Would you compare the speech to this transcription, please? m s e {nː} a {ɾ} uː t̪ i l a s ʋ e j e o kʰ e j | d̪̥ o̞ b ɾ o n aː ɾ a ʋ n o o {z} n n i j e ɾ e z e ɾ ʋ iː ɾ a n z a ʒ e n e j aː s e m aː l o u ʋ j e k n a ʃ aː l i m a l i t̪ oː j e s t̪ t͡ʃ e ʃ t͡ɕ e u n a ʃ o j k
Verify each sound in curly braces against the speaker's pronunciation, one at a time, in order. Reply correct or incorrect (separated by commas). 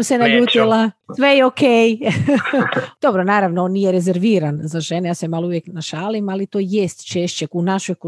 incorrect, incorrect, incorrect